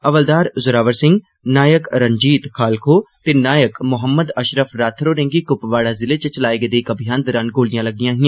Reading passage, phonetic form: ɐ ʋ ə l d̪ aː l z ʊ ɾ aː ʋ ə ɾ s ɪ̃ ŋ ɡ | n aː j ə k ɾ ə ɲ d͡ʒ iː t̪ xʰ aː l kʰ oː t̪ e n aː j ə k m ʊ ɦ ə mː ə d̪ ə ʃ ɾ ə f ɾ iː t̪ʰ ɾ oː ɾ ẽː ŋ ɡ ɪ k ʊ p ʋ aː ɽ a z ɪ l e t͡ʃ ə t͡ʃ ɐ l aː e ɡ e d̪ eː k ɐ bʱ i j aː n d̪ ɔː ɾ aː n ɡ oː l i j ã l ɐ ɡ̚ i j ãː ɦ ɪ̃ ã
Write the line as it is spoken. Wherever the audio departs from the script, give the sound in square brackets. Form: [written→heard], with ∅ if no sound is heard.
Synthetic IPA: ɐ ʋ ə l d̪ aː [l→ɾ] z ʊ ɾ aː ʋ ə ɾ s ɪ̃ ŋ ɡ | n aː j ə k ɾ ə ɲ d͡ʒ iː t̪ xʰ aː l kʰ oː t̪ e n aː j ə k m ʊ ɦ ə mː ə d̪ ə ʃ ɾ ə f ɾ [iː→aː] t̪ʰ ɾ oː ɾ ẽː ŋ ɡ [ɪ→i] k ʊ p ʋ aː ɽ a z ɪ l e t͡ʃ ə t͡ʃ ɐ l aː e ɡ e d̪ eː k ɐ bʱ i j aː n d̪ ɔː ɾ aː n ɡ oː l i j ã l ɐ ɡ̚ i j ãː ɦ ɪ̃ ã